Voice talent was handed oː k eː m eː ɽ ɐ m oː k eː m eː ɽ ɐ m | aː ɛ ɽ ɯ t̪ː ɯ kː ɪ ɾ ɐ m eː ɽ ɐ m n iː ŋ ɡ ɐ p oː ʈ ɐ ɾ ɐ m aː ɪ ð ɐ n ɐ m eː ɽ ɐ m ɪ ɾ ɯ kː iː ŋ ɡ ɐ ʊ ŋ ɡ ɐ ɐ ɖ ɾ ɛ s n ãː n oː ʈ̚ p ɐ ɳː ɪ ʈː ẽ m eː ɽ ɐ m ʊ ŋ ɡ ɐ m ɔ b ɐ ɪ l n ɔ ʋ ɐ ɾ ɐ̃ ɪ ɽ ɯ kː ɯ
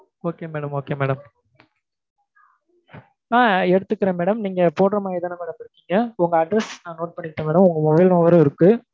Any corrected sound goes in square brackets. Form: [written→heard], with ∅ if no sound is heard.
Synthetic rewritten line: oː k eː m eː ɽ ɐ m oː k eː m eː ɽ ɐ m | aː ɛ ɽ ɯ t̪ː ɯ kː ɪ ɾ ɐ m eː ɽ ɐ m n iː ŋ ɡ ɐ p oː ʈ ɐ ɾ ɐ m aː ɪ ð ɐ n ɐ m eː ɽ ɐ m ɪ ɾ ɯ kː iː ŋ ɡ ɐ ʊ ŋ ɡ ɐ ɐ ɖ ɾ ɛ s n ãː n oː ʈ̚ p ɐ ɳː ɪ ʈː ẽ m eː ɽ ɐ m ʊ ŋ ɡ ɐ m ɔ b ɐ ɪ l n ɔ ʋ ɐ ɾ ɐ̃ ɪ [ɽ→ɾ] ɯ kː ɯ